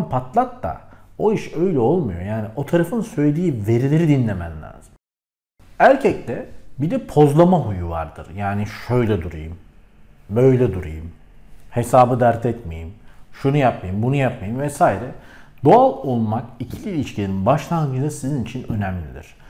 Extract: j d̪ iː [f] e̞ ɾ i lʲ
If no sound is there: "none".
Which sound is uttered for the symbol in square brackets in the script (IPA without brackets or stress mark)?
v